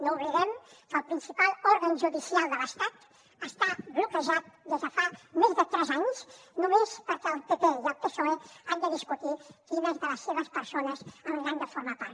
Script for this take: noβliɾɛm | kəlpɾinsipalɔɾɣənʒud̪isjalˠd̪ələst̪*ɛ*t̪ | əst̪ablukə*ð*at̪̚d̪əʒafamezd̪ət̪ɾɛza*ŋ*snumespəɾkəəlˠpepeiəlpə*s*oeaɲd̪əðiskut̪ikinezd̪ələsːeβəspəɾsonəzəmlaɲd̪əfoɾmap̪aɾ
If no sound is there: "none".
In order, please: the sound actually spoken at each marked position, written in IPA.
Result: a, ʒ, ɲ, s

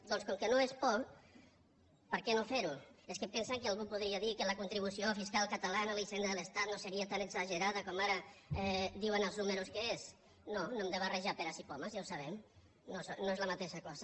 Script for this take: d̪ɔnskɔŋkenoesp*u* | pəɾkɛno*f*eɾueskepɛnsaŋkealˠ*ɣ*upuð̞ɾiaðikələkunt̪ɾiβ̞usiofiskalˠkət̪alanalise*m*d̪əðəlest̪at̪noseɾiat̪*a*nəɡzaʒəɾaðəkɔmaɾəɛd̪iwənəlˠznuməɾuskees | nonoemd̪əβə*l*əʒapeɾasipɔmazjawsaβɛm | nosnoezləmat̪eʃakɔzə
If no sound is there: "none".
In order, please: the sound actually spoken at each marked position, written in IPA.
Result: ɔ, f, ɣ, n, a, r

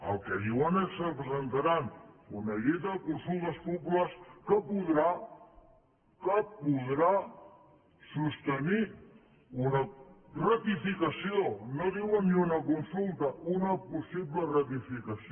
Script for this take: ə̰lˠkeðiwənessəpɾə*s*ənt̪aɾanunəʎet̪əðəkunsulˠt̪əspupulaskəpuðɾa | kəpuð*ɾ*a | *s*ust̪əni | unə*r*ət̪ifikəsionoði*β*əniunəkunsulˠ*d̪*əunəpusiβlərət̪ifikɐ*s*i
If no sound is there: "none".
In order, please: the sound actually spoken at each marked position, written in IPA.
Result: z, ɾ, s, r, w, t̪, s

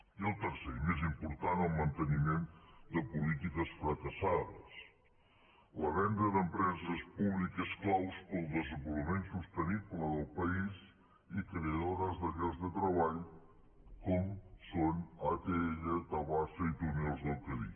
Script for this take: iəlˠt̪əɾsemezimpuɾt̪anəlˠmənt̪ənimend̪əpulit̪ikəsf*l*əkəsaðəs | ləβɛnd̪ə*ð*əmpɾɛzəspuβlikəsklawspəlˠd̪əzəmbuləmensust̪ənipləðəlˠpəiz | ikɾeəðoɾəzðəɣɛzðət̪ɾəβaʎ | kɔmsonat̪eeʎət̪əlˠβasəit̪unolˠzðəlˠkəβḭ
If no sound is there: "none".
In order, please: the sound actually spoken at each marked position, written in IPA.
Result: ɾ, ð

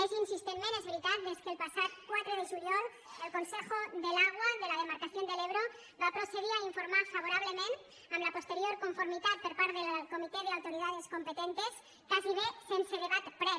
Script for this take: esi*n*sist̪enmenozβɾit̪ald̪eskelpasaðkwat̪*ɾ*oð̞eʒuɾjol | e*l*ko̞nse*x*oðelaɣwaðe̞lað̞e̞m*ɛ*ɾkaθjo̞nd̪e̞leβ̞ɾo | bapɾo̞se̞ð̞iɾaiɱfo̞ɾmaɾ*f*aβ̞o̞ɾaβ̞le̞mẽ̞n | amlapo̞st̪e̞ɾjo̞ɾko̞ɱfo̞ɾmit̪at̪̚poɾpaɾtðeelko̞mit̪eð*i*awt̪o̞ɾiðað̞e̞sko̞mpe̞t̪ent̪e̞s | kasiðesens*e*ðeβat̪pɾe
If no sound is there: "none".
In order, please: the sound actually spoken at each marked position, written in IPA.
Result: n, ɾ, l, x, a, f, e, e

